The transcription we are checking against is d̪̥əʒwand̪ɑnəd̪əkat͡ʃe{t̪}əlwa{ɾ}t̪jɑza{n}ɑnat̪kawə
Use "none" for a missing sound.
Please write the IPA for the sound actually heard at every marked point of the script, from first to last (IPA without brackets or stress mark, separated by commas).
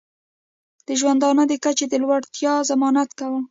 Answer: d̪, ɽ, m